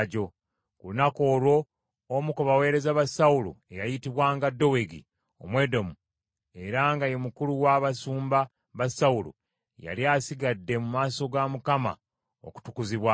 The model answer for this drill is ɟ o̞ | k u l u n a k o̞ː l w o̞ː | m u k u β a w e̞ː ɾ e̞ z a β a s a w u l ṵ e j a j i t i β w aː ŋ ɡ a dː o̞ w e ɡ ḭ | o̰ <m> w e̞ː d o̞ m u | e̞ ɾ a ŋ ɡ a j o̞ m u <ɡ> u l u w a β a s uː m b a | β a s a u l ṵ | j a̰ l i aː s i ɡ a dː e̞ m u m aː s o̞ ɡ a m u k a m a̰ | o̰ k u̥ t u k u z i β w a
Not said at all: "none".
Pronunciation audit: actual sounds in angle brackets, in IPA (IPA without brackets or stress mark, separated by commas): m, k